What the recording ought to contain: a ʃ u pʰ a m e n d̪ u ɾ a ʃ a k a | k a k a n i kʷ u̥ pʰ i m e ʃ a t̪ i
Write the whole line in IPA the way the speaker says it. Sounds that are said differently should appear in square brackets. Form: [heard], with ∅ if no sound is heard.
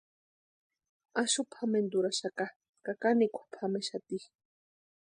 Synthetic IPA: a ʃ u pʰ a m e n d̪ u ɾ a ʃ a k a | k a k a n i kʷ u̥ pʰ [a] m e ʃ a t̪ i

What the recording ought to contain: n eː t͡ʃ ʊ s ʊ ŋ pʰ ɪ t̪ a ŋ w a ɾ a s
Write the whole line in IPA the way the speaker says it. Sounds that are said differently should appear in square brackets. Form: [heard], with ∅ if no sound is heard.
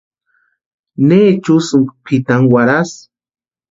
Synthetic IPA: n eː t͡ʃ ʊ s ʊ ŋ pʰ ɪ t̪ a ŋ w a ɾ a s

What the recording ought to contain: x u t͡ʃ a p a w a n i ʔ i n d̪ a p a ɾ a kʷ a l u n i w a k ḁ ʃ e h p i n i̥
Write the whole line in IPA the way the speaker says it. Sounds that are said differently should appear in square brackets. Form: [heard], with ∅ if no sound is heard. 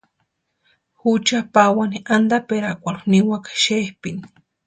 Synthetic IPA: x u t͡ʃ a p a w a n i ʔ [a] n d̪ a p [e] ɾ a kʷ a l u n i w a k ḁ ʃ e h p i n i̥

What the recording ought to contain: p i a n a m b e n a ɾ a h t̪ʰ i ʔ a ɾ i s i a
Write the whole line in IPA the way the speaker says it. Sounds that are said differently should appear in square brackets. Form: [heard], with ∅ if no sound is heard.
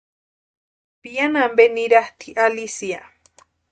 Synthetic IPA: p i a n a m b e n [i] ɾ a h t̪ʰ i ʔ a [l] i s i a

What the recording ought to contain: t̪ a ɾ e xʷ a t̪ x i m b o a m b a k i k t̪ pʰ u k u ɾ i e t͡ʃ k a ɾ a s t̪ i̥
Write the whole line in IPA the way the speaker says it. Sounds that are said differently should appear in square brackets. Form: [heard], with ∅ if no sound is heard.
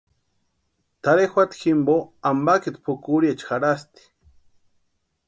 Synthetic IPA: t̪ a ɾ e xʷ a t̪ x i m b o a m b a k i [∅] t̪ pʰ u k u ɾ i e t͡ʃ [x] a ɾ a s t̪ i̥

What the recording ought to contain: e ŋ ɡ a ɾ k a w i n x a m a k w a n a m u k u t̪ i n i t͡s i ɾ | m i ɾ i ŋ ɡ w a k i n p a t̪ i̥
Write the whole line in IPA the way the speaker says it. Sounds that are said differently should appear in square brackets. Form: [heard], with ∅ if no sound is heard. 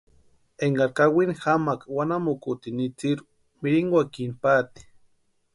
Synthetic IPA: e ŋ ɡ a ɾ k a w i n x a m a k w a n a m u k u t̪ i n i t͡s i ɾ | m i ɾ i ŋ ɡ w a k i n p a t̪ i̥

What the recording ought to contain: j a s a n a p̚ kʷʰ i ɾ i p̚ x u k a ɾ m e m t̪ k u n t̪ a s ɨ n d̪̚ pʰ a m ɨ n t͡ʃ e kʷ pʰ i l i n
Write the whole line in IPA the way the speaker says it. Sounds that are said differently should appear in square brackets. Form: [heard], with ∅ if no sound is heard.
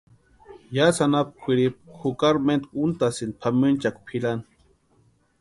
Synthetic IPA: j a s a n a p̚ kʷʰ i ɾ i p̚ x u k a ɾ m e [n] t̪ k u n t̪ a s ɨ n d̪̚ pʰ a m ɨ n t͡ʃ [a] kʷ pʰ i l [a] n

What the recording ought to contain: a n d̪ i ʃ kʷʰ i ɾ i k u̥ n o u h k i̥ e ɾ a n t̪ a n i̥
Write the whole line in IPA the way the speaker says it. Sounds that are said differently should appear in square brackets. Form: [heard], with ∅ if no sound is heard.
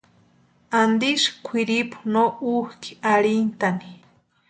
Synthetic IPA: a n d̪ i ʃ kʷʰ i ɾ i [p] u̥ n o u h k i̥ [a] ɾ [i] n t̪ a n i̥

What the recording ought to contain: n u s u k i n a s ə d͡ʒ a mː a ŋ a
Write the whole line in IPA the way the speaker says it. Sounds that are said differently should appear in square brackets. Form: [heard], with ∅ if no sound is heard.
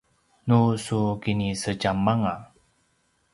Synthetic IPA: n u s u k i n [i] s ə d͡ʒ a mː a ŋ a

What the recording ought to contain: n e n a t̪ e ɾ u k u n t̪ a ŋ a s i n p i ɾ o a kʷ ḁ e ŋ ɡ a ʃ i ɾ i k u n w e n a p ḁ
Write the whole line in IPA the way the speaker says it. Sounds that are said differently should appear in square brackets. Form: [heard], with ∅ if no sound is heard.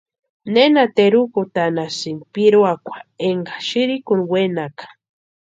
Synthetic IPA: n e n a t̪ e ɾ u k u [∅] t̪ a [n] a s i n p i ɾ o a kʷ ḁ e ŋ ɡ a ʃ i ɾ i k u n w e n a [k] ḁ

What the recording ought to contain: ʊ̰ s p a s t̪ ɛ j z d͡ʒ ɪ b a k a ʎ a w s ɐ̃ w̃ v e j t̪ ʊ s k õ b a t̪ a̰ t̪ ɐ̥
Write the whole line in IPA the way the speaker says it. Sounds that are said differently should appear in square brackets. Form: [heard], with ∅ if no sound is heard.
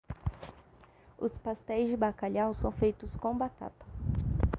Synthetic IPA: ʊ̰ s p a s t̪ ɛ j z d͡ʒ ɪ b a k a ʎ a w s ɐ̃ w̃ [f] e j t̪ ʊ s k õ b a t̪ a̰ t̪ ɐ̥

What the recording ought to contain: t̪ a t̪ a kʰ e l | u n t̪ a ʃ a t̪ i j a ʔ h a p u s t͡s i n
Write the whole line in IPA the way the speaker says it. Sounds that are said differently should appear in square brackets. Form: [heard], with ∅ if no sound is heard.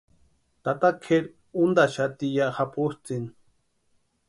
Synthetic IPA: t̪ a t̪ a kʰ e [ɾ] | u n [d̪] a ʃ a t̪ i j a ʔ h a p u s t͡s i n

